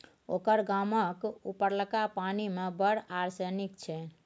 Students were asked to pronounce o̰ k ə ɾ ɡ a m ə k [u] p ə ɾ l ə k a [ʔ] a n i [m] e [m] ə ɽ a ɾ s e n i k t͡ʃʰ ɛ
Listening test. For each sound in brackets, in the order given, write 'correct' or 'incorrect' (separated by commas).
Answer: correct, incorrect, correct, incorrect